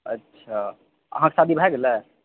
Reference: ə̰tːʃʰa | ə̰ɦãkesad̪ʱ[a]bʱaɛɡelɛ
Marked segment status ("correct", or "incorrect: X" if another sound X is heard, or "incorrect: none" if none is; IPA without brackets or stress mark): incorrect: i